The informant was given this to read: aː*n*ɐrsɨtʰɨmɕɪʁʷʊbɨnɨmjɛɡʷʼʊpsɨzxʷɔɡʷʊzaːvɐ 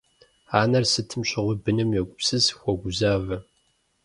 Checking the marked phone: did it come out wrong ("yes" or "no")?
no